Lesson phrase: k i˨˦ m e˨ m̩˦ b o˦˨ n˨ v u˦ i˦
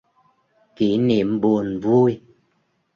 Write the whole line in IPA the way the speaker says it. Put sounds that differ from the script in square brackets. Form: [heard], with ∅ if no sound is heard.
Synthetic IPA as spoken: k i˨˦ [n] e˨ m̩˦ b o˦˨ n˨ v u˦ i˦